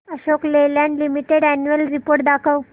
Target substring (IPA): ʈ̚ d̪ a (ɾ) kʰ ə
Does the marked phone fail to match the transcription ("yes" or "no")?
yes